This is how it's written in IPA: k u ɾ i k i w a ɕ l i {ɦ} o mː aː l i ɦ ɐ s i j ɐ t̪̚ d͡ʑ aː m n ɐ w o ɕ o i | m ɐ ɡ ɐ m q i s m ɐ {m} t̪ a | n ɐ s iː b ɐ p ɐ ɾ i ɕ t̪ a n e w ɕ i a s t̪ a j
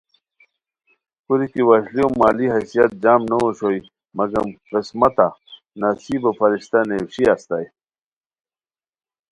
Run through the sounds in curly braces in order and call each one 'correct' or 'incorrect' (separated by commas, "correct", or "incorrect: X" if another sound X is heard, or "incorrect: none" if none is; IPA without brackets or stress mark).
incorrect: none, incorrect: none